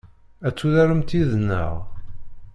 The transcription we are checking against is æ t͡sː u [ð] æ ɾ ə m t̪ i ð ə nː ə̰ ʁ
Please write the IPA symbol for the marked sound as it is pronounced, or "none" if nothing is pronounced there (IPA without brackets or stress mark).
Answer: ð